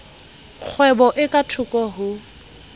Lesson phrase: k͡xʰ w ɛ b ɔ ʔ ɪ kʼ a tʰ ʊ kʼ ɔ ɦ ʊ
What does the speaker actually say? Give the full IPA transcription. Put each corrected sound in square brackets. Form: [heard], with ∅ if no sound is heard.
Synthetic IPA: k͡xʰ w ɛ b ɔ ʔ ɪ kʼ a tʰ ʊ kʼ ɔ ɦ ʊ